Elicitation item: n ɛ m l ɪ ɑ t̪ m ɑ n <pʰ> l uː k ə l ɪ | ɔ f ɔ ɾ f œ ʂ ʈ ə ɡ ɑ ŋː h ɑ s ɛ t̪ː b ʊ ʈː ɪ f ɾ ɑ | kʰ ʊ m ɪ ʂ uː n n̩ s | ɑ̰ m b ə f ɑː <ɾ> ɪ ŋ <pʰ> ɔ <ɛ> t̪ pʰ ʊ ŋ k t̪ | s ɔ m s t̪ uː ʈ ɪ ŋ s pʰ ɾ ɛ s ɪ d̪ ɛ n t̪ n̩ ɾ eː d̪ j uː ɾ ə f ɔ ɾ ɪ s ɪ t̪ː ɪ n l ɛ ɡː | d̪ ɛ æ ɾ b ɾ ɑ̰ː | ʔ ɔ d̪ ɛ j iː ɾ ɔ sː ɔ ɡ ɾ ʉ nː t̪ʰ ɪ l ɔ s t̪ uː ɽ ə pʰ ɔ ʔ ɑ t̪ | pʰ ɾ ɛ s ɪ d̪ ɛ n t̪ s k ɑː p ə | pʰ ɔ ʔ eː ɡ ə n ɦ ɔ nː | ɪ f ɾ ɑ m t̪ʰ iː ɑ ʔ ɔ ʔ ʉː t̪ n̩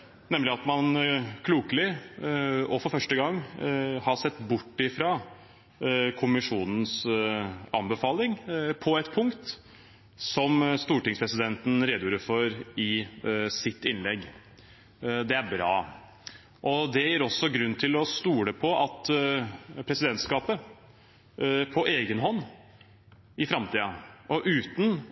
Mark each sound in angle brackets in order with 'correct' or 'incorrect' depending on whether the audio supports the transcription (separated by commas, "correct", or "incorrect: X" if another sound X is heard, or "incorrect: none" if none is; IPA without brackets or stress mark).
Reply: incorrect: kʰ, incorrect: l, correct, correct